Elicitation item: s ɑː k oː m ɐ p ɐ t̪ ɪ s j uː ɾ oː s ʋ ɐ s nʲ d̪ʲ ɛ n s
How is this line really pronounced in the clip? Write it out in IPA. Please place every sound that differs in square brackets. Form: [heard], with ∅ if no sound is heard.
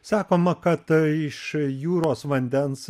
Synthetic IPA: s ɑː k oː m ɐ [k] ɐ t̪ ɪ [ʃ] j uː ɾ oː s ʋ ɐ [∅] nʲ d̪ʲ ɛ n s